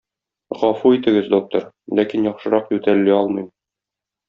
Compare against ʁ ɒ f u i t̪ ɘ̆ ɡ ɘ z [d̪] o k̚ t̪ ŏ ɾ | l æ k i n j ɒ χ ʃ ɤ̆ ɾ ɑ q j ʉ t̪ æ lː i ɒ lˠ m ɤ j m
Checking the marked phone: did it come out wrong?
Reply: no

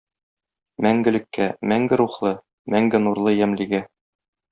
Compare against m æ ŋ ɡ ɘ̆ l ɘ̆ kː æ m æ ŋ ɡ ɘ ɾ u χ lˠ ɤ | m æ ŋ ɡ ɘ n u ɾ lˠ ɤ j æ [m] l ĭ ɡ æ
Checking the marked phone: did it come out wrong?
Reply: no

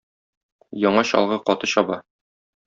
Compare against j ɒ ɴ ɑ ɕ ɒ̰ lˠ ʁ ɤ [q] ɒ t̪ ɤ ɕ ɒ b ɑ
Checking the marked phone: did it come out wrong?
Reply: no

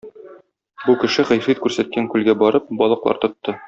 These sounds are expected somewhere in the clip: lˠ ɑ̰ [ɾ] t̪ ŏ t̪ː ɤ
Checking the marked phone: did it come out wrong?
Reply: no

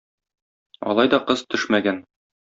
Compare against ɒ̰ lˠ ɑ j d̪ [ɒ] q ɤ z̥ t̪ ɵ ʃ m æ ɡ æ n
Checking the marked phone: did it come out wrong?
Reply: no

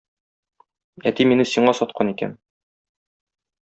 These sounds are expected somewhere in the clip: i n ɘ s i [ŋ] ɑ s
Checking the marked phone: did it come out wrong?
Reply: yes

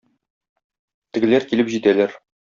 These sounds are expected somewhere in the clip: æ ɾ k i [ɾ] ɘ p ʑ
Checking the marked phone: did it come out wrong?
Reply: yes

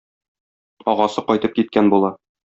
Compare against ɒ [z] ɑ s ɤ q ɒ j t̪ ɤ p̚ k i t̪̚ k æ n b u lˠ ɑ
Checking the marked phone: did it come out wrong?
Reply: yes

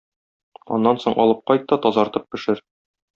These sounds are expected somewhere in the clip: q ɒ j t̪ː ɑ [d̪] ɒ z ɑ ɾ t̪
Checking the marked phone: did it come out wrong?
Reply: yes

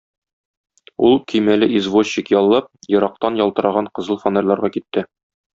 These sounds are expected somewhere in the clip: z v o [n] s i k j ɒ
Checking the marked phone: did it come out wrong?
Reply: yes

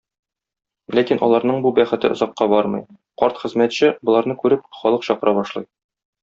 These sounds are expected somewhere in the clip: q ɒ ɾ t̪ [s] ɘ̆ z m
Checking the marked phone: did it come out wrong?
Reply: yes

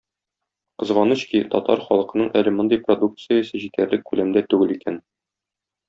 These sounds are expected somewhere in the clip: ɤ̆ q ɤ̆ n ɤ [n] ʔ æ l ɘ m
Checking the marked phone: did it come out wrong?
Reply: yes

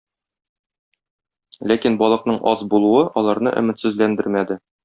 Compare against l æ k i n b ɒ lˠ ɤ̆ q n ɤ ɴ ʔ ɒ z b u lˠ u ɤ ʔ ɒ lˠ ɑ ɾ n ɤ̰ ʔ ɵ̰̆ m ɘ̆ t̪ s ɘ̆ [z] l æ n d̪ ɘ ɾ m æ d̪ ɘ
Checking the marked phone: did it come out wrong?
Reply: no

